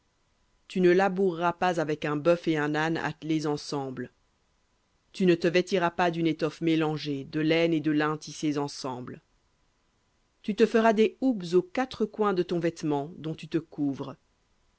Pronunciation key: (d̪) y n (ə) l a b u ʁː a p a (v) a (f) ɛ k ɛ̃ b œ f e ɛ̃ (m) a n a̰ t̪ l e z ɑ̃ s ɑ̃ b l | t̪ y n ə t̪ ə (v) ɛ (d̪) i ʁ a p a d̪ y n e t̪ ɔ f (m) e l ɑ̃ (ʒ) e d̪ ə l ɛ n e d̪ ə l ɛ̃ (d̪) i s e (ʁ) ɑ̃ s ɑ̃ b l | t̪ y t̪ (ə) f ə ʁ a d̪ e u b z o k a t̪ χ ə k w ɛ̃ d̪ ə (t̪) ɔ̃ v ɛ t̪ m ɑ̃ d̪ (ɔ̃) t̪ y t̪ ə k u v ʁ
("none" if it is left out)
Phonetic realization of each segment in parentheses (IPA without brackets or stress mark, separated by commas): t̪, ə, z, v, n, v, t̪, m, ʒ, t̪, z, ə, t̪, ɔ̃